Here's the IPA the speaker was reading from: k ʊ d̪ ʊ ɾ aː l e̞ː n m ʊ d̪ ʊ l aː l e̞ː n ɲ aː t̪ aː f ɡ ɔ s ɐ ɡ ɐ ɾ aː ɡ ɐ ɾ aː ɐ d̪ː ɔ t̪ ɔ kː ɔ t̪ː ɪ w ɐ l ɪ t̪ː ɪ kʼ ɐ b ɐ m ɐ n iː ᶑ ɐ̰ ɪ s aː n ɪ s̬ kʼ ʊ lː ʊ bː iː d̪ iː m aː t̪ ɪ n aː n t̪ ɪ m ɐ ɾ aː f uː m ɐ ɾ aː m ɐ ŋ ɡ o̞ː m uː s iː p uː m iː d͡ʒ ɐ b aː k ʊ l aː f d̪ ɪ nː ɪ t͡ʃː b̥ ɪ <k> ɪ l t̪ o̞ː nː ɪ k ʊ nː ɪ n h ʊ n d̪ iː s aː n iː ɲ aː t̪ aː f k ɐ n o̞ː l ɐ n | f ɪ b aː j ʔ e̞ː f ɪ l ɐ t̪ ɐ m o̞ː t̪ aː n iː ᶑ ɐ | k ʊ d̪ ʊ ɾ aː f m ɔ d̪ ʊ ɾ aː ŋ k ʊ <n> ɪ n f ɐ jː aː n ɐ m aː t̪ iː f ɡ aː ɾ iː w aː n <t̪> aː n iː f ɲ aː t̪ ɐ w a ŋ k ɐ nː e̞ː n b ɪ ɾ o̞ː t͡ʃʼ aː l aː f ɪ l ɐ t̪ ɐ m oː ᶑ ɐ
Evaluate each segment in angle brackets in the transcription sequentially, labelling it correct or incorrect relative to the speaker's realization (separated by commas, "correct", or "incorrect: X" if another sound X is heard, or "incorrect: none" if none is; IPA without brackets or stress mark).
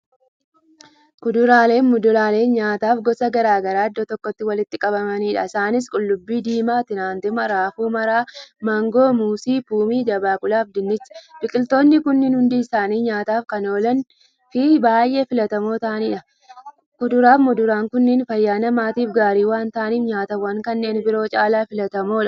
incorrect: kʼ, incorrect: nː, correct